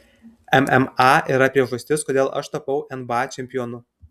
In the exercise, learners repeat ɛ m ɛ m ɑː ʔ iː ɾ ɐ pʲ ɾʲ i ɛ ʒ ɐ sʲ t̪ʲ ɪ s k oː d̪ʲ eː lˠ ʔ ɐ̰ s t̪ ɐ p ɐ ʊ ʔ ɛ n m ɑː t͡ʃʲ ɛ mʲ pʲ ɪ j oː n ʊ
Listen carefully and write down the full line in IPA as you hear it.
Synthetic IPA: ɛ m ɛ m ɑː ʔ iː ɾ ɐ pʲ ɾʲ i ɛ ʒ ɐ sʲ t̪ʲ ɪ s k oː d̪ʲ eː lˠ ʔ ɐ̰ ʃ t̪ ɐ p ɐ ʊ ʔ ɛ n b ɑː t͡ʃʲ ɛ mʲ pʲ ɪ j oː n ʊ